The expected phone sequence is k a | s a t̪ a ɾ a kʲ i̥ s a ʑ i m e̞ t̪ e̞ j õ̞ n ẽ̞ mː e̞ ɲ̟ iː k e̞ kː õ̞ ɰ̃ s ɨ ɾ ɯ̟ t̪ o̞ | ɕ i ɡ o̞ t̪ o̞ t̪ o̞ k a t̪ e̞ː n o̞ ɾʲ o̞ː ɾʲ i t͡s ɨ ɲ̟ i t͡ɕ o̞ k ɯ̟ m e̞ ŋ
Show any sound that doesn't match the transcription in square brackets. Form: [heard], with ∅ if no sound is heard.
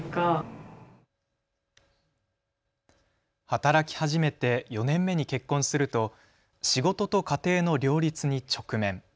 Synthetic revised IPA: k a | [h] a t̪ a ɾ a kʲ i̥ [h] a ʑ i m e̞ t̪ e̞ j [o̞] n ẽ̞ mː e̞ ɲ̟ [i] k e̞ kː õ̞ ɰ̃ s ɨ ɾ ɯ̟ t̪ o̞ | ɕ i ɡ o̞ t̪ o̞ t̪ o̞ k a t̪ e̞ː n o̞ ɾʲ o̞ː ɾʲ i t͡s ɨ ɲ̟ i t͡ɕ o̞ k ɯ̟ m [ẽ̞] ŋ

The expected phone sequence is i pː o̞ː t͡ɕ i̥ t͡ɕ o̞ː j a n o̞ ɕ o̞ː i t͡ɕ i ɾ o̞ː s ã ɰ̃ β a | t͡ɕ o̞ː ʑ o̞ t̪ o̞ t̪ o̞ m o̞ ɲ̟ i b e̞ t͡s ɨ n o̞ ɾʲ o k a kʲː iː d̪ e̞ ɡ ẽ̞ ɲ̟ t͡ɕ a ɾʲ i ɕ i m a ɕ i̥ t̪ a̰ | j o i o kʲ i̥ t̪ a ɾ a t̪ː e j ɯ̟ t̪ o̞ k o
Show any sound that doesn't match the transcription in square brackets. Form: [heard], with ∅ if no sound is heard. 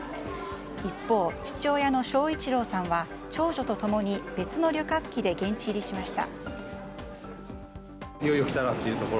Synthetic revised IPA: i pː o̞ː t͡ɕ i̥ t͡ɕ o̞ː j a n o̞ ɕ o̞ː i t͡ɕ i ɾ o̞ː s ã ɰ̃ β a | t͡ɕ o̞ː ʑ o̞ t̪ o̞ t̪ o̞ m o̞ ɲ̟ i b e̞ t͡s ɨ n o̞ ɾʲ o k a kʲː [i] d̪ e̞ ɡ ẽ̞ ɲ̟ t͡ɕ [i] ɾʲ i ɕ i m a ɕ i̥ t̪ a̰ | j o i o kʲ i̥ t̪ a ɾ a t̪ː e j ɯ̟ t̪ o̞ k o

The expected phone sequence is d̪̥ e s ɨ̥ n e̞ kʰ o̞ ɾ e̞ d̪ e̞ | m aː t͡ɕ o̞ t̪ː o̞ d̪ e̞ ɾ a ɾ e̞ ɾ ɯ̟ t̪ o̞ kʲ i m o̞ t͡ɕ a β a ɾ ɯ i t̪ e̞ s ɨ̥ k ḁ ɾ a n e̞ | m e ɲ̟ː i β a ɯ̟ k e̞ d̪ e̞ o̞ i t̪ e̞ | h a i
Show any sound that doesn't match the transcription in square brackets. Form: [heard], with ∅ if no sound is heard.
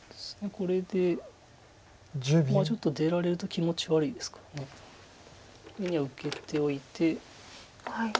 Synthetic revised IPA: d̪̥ e s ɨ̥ n e̞ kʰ o̞ ɾ e̞ d̪ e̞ | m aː t͡ɕ o̞ t̪ː o̞ d̪ e̞ ɾ a ɾ e̞ ɾ ɯ̟ t̪ o̞ kʲ i m o̞ t͡ɕ [i] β a ɾ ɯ i [d̪] e̞ s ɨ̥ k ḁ ɾ a n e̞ | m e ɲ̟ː i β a ɯ̟ k e̞ [t̪] e̞ o̞ i t̪ e̞ | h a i

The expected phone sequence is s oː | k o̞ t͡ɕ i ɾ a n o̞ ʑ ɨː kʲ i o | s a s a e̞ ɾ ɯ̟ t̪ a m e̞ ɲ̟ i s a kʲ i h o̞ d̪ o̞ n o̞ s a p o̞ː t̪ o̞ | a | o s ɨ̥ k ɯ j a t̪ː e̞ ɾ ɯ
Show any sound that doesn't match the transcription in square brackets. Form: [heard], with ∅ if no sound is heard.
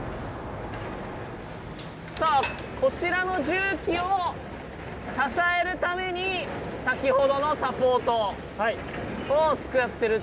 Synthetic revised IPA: s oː | k o̞ t͡ɕ i ɾ a n o̞ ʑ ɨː kʲ i o | s a s a e̞ ɾ ɯ̟ t̪ a m e̞ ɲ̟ i s a kʲ i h o̞ d̪ o̞ n o̞ s a p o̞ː t̪ o̞ | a | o [t͡s] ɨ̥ k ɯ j a t̪ː e̞ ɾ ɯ

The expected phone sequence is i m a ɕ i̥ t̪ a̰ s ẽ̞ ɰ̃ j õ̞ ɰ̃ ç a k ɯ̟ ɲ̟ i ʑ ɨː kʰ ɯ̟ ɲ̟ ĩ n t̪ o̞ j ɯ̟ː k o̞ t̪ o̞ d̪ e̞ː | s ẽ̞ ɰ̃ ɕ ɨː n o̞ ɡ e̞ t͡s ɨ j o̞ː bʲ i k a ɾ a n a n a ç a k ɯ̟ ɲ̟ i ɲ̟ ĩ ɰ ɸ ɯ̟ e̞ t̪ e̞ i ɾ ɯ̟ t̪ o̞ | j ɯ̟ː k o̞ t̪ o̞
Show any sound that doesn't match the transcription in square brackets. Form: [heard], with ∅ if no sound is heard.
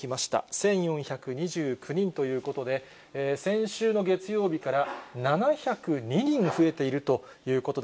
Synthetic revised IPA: i m a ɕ i̥ t̪ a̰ s ẽ̞ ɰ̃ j õ̞ ɰ̃ ç a k ɯ̟ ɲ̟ i ʑ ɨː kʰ ɯ̟ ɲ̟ ĩ n t̪ o̞ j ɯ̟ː k o̞ t̪ o̞ d̪ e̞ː | s ẽ̞ ɰ̃ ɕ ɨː n o̞ ɡ e̞ t͡s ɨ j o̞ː bʲ i k a ɾ a n a n a ç a k ɯ̟ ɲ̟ i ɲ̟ ĩ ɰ ɸ ɯ̟ e̞ t̪ e̞ i ɾ ɯ̟ t̪ o̞ | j ɯ̟ː k o̞ t̪ o̞

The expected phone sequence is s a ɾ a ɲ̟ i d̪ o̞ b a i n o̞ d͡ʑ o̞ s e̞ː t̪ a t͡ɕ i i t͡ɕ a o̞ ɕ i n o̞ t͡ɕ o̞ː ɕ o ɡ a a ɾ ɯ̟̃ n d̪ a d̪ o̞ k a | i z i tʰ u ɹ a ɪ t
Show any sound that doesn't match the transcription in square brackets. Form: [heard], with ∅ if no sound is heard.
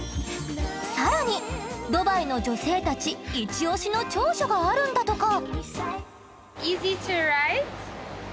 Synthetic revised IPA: s a ɾ a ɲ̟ i d̪ o̞ b a i n o̞ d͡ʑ o̞ s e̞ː t̪ a t͡ɕ i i t͡ɕ [i] o̞ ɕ i n o̞ t͡ɕ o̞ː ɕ o ɡ a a ɾ ɯ̟̃ n d̪ a [t̪] o̞ k a | i z i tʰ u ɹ a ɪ t

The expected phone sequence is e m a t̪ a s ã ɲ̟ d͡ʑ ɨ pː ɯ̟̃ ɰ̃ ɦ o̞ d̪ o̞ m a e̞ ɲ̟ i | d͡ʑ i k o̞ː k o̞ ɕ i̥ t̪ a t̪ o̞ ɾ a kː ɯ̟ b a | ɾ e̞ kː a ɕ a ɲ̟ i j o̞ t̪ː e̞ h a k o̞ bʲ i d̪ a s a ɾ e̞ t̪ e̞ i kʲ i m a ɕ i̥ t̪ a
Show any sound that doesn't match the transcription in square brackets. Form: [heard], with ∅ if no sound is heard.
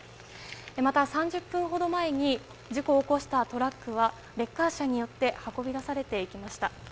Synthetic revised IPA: e m a t̪ a s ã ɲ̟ d͡ʑ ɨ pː ɯ̟̃ ɰ̃ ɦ o̞ d̪ o̞ m a e̞ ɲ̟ i | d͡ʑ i k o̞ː k o̞ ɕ i̥ t̪ a t̪ o̞ ɾ a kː ɯ̟ [β] a | ɾ e̞ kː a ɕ a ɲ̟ i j o̞ t̪ː e̞ h a k o̞ bʲ i d̪ a s a ɾ e̞ t̪ e̞ i kʲ i m a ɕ i̥ t̪ a

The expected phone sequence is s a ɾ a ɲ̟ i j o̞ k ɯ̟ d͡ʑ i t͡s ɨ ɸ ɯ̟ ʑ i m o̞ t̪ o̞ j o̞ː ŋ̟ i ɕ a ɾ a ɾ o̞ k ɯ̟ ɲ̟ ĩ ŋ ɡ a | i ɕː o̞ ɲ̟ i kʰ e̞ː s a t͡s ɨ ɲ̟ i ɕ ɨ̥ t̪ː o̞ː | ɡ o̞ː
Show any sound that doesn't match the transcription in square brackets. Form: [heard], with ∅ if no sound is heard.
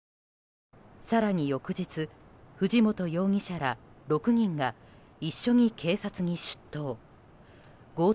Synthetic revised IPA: s a ɾ a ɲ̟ i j o̞ k ɯ̟ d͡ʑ i t͡s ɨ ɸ ɯ̟ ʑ i m o̞ t̪ o̞ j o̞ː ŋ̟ i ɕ a ɾ a ɾ o̞ k ɯ̟ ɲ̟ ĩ ŋ ɡ a | i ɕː o̞ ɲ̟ i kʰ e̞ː s a t͡s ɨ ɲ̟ i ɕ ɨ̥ t̪ː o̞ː | ɡ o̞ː

